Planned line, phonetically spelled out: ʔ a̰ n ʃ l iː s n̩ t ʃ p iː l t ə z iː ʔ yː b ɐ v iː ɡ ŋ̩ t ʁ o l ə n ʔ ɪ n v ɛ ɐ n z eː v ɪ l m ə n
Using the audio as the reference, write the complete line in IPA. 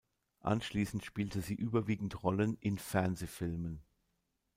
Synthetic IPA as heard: ʔ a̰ n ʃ l iː s n̩ t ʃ p iː l t ə z iː ʔ yː b ɐ v iː ɡ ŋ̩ t ʁ ɔ l ə n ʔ ɪ n f ɛ ɐ n z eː f ɪ l m ə n